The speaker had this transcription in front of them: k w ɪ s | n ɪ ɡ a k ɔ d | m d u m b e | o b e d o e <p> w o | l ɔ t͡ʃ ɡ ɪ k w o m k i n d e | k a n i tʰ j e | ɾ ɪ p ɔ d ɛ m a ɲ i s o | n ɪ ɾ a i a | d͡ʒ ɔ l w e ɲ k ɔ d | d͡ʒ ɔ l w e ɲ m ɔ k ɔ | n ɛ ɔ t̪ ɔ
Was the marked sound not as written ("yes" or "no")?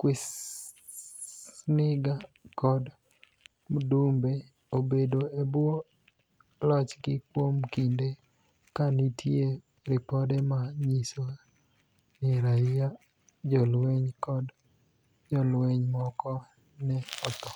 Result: yes